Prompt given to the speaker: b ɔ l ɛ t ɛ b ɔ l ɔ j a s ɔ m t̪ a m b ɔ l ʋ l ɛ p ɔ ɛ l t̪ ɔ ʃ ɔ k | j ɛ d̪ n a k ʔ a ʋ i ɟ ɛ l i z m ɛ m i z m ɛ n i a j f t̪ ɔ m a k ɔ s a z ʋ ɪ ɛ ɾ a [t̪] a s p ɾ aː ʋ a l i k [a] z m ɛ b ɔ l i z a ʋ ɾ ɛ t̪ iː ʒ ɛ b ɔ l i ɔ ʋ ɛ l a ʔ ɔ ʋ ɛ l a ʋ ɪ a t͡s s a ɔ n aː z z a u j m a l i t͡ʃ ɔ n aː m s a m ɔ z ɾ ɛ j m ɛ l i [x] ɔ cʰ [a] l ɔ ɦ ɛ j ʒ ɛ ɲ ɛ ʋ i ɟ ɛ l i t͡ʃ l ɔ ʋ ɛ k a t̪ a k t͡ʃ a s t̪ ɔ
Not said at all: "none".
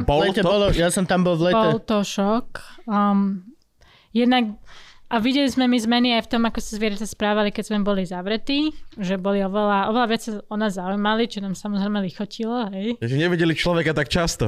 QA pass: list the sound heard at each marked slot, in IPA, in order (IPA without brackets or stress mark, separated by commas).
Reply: t̪, ɛ, x, i